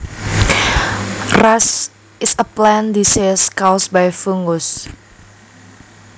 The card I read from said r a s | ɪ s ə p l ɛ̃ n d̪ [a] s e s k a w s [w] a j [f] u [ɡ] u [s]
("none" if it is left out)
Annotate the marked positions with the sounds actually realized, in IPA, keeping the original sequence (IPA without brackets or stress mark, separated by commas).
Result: i, b, f, ŋ, s